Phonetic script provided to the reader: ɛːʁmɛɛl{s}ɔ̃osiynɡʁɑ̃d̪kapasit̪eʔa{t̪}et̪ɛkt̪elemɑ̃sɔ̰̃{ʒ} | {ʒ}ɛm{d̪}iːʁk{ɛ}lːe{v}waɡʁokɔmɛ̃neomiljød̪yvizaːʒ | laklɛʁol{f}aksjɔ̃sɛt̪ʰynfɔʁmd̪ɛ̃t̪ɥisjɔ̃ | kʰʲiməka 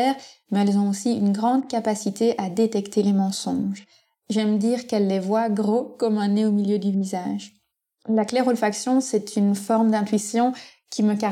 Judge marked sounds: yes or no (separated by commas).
no, no, yes, yes, yes, yes, yes, yes